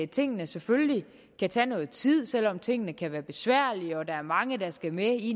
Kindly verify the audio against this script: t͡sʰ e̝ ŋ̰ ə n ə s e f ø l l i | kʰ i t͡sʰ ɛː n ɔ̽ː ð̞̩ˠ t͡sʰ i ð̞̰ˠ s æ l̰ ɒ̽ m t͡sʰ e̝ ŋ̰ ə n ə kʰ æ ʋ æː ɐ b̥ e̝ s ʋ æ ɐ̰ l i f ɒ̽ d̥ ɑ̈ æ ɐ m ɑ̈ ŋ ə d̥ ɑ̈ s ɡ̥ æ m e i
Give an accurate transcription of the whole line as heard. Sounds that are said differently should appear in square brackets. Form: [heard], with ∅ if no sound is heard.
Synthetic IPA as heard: t͡sʰ e̝ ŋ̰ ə n ə s e f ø l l i | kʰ [æ] t͡sʰ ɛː n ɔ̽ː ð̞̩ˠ t͡sʰ i ð̞̰ˠ s [e] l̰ ɒ̽ m t͡sʰ e̝ ŋ̰ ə n ə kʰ æ ʋ æː ɐ b̥ e̝ s ʋ æ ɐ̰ l i [∅] ɒ̽ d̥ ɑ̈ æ ɐ m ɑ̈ ŋ ə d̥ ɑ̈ s ɡ̥ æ m e i

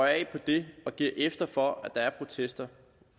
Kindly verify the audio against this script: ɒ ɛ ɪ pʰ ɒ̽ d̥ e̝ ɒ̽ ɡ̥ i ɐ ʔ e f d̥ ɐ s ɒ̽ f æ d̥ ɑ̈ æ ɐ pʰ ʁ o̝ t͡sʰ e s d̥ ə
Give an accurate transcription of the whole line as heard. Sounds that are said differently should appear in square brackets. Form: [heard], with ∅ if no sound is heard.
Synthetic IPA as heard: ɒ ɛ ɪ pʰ ɒ̽ d̥ e̝ ɒ̽ ɡ̥ i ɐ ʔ e f d̥ ɐ [f] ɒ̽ [∅] æ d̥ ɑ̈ æ ɐ pʰ ʁ o̝ t͡sʰ e s d̥ [ɐ]

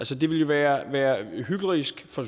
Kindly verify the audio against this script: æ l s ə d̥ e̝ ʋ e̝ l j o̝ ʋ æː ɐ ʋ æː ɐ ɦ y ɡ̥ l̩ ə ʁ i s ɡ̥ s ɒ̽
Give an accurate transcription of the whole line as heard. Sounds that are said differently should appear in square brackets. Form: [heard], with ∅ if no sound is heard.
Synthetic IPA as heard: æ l s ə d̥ e̝ ʋ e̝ l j o̝ ʋ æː ɐ ʋ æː ɐ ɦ y ɡ̥ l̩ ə ʁ i s ɡ̥ [f] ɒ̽

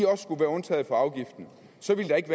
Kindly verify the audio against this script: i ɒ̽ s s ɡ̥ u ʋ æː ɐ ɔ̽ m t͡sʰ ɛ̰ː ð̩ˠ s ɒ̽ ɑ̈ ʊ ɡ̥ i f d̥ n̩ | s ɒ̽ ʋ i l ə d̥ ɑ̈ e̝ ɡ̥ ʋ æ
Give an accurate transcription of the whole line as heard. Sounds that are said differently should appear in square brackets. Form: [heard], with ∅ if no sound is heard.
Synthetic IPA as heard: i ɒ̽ s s ɡ̥ u ʋ æː ɐ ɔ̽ [n] t͡sʰ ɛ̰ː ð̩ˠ [f] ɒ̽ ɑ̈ ʊ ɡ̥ i f d̥ n̩ | s ɒ̽ ʋ i l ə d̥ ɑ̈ e̝ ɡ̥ ʋ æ

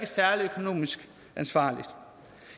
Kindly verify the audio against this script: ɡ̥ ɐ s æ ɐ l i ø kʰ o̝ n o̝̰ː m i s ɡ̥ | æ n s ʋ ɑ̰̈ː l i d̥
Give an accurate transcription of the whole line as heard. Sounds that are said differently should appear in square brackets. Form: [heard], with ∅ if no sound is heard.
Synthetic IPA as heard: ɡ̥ [ə] s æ ɐ l i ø kʰ o̝ n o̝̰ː m i s ɡ̥ | æ n s ʋ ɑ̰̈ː l i d̥

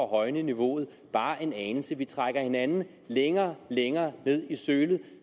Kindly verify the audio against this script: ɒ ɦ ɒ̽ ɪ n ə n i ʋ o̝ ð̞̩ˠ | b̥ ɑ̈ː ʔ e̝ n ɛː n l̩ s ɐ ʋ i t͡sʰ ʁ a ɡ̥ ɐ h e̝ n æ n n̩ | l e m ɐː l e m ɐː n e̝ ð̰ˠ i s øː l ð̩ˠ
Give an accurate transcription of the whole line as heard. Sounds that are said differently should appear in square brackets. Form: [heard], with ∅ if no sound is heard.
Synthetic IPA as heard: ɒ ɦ ɒ̽ ɪ n ə n i ʋ o̝ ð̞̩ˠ | b̥ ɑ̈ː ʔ e̝ n ɛː n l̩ s [ə] ʋ i t͡sʰ ʁ a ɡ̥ ɐ h e̝ n æ n n̩ | l e [ŋ] ɐː l e [ŋ] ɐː n e̝ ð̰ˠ i s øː l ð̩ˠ

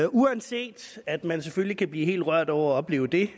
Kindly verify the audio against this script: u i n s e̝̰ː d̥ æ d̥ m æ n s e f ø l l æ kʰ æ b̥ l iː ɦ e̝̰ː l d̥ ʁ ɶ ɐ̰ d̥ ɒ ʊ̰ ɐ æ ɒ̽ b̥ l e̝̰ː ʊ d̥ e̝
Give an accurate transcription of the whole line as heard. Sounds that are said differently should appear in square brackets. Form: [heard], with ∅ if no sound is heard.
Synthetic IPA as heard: u [æ] n s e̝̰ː d̥ æ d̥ m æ n s e f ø l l [i] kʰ æ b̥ l iː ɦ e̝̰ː l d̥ ʁ ɶ ɐ̰ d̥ ɒ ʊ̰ ɐ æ ɒ̽ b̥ l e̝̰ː ʊ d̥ e̝

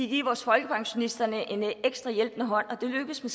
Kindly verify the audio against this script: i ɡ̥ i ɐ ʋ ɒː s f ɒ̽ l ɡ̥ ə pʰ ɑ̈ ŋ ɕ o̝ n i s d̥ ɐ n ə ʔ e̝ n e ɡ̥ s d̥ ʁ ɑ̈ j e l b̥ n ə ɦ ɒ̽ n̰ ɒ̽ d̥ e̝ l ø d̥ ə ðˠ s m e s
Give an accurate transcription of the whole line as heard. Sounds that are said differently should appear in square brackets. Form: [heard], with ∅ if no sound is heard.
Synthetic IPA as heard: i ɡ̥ i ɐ ʋ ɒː s f ɒ̽ l ɡ̥ ə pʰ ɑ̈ ŋ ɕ o̝ n i s d̥ ɐ n ə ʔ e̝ n e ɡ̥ s d̥ ʁ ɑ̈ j e l b̥ n ə ɦ ɒ̽ n̰ ɒ̽ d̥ e̝ l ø [ɡ̥] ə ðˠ s m e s

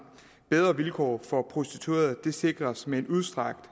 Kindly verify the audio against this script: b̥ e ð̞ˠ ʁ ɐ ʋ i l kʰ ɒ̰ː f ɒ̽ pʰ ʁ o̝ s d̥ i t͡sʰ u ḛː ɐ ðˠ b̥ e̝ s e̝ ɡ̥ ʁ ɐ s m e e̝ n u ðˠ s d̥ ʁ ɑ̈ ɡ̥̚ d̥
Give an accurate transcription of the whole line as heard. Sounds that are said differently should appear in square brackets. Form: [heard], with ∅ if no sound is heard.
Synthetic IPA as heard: b̥ e ð̞ˠ ʁ ɐ ʋ i l kʰ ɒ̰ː f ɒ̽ pʰ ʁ o̝ s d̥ i t͡sʰ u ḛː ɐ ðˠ [d̥] e̝ s e̝ ɡ̥ ʁ ɐ s m e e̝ n u ðˠ s d̥ ʁ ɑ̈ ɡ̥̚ d̥

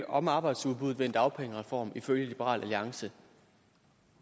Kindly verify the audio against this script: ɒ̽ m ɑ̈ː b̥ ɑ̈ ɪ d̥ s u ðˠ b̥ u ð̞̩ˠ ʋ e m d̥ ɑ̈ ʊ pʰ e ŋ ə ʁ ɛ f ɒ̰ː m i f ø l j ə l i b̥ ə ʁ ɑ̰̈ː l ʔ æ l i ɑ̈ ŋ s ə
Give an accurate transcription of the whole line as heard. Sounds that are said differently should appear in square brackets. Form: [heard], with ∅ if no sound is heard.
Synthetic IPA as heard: ɒ̽ m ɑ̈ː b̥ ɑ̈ ɪ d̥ s u ðˠ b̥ u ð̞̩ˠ ʋ e [n] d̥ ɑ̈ ʊ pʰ e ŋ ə ʁ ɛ f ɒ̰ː m i f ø l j ə l i b̥ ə ʁ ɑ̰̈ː l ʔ æ l i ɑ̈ ŋ s ə

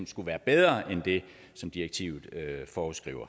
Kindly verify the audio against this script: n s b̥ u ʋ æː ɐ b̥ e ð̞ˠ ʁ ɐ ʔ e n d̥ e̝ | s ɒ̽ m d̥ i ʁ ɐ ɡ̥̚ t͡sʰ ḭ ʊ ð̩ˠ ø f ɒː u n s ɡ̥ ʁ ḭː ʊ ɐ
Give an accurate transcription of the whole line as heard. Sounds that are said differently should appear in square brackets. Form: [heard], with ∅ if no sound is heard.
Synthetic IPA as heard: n s [ɡ̥] u ʋ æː ɐ b̥ e ð̞ˠ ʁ ɐ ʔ e n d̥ e̝ | s ɒ̽ m d̥ i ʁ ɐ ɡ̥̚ t͡sʰ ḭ ʊ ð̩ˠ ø f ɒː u [∅] s ɡ̥ ʁ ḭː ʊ ɐ

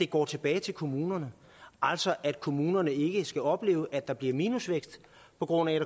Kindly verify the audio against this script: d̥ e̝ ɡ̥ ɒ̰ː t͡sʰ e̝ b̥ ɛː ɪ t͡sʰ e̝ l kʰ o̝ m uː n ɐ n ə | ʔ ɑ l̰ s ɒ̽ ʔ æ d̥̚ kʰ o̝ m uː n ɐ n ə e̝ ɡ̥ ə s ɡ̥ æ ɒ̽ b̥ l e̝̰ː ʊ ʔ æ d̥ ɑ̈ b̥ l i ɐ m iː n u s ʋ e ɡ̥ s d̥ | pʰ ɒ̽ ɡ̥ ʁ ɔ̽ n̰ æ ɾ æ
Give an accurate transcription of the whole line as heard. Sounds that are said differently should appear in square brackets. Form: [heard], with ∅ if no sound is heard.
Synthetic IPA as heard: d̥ e̝ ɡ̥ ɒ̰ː t͡sʰ e̝ b̥ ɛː ɪ t͡sʰ e̝ l kʰ o̝ m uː n ɐ n ə | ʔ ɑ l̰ s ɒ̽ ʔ æ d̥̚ kʰ o̝ m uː n ɐ n ə e̝ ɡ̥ ə s ɡ̥ æ ɒ̽ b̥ l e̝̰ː ʊ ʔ æ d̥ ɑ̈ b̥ l i ɐ m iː n u s ʋ e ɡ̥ s d̥ | pʰ ɒ̽ ɡ̥ ʁ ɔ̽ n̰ æ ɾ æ

